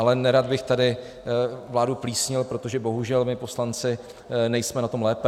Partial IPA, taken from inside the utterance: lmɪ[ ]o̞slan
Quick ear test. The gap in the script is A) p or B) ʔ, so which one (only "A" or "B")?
A